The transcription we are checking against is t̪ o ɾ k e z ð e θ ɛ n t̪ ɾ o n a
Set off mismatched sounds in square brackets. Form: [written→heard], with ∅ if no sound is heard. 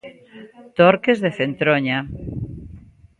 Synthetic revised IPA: t̪ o ɾ k e z ð e θ [ɛ→e] n t̪ ɾ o [n→ɲ] a